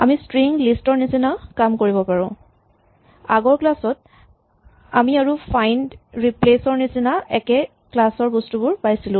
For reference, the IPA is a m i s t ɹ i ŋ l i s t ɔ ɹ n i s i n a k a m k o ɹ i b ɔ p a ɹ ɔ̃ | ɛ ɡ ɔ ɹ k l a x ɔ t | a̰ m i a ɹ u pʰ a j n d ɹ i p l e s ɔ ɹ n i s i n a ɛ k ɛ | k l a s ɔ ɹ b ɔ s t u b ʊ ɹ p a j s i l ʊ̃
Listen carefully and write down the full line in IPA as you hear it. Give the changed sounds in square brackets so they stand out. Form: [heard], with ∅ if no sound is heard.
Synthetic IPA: a m i s t ɹ i ŋ l i s t ɔ ɹ n i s i n a k a m k o ɹ i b ɔ p a ɹ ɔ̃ | [a] ɡ ɔ ɹ k l a [s] ɔ t | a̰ m i a ɹ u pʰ a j n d ɹ i p l e s ɔ ɹ n i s i n a ɛ k ɛ | k l a s ɔ ɹ b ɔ s t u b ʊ ɹ p a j s i l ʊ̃